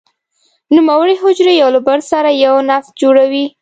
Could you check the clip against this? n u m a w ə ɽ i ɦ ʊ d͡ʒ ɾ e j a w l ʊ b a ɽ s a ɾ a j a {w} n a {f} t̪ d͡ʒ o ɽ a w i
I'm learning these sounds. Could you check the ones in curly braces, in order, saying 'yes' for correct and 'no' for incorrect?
yes, yes

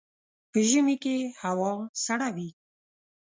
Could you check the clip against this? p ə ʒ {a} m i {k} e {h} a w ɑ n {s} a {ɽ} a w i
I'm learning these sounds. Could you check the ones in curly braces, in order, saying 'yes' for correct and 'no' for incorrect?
no, yes, yes, yes, yes

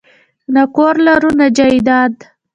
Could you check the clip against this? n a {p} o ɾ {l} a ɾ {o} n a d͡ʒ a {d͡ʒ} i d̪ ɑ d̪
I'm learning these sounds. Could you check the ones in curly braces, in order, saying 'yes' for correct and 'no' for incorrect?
no, yes, no, no

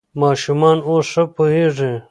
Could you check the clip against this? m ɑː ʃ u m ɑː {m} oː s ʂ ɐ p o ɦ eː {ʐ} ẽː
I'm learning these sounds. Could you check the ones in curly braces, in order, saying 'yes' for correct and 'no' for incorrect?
no, yes

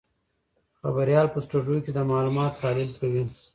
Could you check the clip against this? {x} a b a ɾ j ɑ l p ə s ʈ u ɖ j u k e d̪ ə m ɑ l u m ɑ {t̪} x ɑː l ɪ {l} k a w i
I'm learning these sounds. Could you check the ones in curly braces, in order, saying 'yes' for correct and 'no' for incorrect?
yes, yes, yes

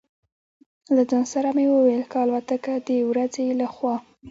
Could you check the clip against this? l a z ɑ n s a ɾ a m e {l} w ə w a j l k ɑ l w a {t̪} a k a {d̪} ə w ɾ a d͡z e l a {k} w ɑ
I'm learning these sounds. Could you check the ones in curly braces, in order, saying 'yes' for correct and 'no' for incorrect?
no, yes, yes, no

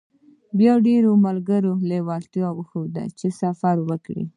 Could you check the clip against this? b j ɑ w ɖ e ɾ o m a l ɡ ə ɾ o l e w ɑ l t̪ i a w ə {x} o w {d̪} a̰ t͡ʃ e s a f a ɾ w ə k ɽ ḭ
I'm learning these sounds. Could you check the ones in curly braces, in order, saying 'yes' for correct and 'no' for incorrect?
yes, yes

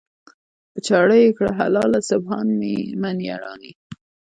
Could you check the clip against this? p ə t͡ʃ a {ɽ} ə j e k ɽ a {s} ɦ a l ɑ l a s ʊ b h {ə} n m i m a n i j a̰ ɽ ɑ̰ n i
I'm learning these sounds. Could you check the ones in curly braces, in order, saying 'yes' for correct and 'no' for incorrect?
yes, no, no

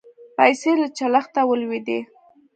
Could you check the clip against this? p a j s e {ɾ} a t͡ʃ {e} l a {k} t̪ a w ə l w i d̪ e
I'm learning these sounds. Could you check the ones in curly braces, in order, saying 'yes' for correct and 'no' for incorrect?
no, no, no

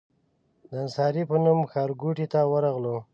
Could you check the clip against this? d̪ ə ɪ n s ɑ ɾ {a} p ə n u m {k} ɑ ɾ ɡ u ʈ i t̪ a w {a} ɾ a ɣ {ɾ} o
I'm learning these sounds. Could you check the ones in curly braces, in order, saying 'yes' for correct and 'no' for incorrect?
no, no, no, no

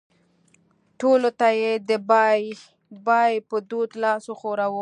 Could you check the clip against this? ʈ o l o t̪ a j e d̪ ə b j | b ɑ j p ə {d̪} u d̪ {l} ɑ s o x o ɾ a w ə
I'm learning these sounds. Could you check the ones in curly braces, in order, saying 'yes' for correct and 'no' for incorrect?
yes, yes

